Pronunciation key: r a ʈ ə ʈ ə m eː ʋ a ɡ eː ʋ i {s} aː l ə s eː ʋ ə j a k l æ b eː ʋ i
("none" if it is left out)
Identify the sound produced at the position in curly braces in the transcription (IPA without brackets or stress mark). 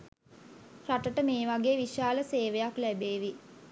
ʃ